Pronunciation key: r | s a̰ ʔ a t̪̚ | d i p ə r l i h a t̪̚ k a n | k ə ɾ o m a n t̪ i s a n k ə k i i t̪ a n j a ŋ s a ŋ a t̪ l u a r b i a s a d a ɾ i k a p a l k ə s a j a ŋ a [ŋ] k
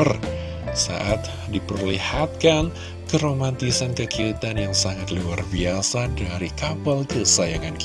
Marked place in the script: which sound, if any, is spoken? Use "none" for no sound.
n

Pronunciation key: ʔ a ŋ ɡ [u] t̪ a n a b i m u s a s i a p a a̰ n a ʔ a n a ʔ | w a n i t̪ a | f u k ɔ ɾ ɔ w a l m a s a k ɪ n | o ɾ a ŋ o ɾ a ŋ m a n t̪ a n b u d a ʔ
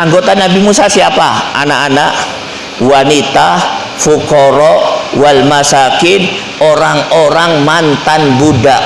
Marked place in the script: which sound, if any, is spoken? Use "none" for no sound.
o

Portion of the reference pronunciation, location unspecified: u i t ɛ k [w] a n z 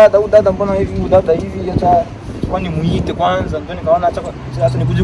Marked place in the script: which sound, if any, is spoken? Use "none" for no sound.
w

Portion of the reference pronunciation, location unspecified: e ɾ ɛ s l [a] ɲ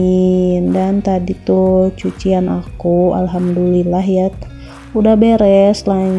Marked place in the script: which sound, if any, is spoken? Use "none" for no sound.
a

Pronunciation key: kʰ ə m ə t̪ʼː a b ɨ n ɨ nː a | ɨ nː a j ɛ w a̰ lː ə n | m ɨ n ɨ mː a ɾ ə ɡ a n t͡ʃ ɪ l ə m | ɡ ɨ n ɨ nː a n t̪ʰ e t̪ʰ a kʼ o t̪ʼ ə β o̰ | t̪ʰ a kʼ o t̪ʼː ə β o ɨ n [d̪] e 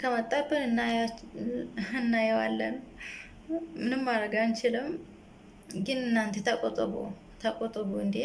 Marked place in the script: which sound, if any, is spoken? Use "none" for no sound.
d̪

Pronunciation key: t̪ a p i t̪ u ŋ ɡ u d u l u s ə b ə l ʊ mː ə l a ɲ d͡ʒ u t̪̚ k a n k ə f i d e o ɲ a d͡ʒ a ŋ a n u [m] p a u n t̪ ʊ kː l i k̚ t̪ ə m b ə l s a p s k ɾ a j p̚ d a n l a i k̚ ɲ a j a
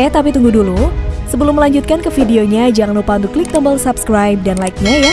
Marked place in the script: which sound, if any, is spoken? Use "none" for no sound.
none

